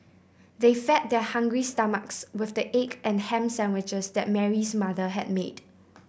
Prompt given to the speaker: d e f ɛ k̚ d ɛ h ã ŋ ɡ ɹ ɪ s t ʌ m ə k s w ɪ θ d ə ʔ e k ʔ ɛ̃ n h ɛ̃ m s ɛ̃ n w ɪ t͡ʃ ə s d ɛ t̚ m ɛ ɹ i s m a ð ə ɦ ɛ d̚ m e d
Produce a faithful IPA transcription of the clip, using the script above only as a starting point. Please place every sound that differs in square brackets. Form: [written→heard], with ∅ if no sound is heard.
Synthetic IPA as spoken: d e f ɛ [k̚→t̚] d ɛ h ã ŋ ɡ ɹ [ɪ→i] s t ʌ m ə k s w ɪ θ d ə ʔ e k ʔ ɛ̃ n h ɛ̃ m s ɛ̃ n w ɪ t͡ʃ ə s d ɛ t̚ m ɛ ɹ i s m a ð ə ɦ ɛ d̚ m e d